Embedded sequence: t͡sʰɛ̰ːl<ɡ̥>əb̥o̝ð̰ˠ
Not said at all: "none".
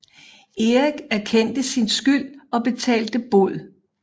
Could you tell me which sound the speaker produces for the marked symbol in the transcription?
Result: d̥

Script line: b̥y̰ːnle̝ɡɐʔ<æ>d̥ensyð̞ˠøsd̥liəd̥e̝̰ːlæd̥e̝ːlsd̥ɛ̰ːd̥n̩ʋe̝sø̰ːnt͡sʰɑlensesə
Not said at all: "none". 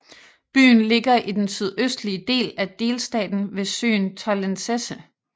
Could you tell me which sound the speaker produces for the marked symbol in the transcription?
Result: i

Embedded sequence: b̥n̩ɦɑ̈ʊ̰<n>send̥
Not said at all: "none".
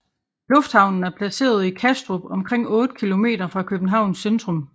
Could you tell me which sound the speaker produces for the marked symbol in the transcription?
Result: n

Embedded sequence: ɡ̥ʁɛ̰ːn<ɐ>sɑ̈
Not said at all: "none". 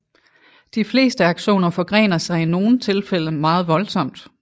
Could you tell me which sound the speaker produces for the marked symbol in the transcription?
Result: ɐ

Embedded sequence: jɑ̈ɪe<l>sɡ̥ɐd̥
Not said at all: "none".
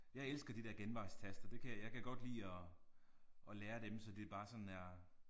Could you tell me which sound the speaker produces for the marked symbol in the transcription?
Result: l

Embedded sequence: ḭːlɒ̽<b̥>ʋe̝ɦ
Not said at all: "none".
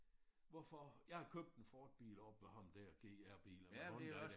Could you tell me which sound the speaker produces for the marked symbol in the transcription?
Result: b̥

